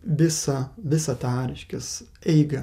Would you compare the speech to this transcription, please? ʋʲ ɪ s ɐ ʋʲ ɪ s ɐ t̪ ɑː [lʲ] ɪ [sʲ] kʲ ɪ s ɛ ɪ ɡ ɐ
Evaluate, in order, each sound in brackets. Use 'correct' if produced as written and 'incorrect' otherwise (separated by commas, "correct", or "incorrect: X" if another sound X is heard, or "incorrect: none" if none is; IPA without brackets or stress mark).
incorrect: ɾʲ, incorrect: ʃʲ